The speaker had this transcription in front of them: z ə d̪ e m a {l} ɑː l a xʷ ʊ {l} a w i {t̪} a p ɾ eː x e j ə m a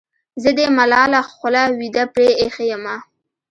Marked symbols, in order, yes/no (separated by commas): yes, yes, no